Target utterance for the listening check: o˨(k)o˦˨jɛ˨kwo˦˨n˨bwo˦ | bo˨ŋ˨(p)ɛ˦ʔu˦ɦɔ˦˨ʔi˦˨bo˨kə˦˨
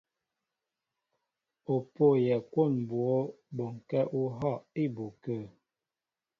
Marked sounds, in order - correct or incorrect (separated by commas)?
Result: incorrect, incorrect